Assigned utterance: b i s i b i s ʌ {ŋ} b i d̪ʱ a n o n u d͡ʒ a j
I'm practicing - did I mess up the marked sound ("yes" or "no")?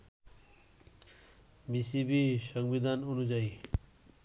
no